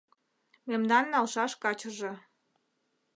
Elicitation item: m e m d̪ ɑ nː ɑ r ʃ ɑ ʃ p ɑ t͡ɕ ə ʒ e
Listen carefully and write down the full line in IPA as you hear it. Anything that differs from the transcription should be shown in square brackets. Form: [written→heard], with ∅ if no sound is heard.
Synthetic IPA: m e m d̪ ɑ nː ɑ [r→l] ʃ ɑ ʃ [p→k] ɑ t͡ɕ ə ʒ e